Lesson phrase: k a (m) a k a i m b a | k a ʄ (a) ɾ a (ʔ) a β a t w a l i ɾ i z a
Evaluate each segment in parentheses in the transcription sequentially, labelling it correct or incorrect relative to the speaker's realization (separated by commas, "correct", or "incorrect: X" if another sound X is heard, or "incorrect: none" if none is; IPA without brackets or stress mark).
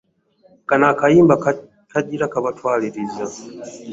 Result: incorrect: n, incorrect: i, incorrect: k